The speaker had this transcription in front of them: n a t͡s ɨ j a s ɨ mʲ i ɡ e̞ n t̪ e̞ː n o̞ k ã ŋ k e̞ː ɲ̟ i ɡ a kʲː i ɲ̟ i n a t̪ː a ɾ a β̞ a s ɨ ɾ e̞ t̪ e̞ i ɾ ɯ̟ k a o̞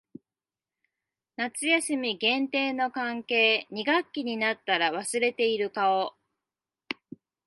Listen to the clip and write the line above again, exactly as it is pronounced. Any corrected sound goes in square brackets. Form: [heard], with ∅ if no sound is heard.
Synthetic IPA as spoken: n a t͡s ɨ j a s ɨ mʲ i ɡ [ẽ̞] n t̪ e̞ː n o̞ k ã ŋ k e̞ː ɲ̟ i ɡ a kʲː i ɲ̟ i n a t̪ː a ɾ a β̞ a s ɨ ɾ e̞ t̪ e̞ i ɾ ɯ̟ k a o̞